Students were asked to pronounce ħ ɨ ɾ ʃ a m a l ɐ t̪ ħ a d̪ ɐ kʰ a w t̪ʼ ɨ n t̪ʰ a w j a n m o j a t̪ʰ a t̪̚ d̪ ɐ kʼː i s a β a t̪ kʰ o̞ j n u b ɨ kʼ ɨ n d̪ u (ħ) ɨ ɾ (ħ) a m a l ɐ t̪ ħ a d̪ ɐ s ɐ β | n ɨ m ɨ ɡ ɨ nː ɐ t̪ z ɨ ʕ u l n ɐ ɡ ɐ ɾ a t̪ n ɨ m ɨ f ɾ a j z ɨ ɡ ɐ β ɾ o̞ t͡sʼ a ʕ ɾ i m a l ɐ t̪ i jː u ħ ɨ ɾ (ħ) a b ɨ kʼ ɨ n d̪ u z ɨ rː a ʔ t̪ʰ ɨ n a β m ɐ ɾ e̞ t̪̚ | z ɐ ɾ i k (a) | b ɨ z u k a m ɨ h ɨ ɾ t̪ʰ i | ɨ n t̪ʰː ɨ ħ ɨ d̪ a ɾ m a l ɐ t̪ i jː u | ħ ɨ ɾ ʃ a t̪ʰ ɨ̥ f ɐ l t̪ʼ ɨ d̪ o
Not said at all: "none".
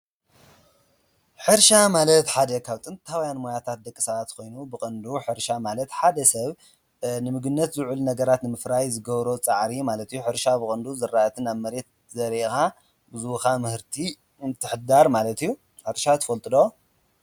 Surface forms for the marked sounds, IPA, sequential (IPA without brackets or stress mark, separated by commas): ħ, ʃ, ʃ, a